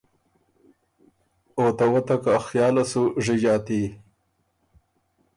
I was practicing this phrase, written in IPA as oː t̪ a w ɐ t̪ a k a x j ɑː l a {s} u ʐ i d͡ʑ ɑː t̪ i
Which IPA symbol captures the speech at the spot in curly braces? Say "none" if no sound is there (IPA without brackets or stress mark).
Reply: s